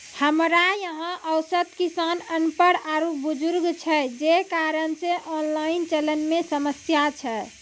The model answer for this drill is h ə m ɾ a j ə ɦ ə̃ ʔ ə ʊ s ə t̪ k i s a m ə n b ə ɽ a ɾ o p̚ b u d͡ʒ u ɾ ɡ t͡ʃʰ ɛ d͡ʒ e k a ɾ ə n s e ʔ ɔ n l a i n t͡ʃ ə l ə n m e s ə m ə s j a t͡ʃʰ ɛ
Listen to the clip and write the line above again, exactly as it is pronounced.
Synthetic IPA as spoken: h ə m ɾ a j ə ɦ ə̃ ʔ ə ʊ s ə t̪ k i s a n ə n p ə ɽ a ɾ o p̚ b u d͡ʒ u ɾ ɡ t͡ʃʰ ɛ d͡ʒ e k a ɾ ə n s e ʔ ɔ n l a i n t͡ʃ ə l ə n m e s ə m ə s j a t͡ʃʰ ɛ